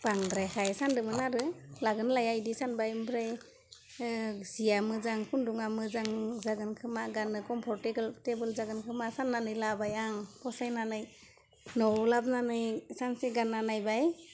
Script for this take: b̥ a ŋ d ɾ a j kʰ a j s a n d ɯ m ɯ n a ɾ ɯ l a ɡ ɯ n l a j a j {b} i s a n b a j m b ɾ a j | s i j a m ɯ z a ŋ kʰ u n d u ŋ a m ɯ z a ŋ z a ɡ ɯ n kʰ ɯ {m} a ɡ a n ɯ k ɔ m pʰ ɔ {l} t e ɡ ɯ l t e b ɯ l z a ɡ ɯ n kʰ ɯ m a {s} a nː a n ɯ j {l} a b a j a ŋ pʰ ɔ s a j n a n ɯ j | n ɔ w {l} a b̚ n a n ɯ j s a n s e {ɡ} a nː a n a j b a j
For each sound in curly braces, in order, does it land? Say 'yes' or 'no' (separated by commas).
no, yes, no, yes, yes, yes, yes